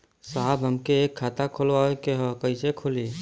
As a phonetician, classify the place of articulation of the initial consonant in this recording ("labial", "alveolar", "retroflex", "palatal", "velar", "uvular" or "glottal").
alveolar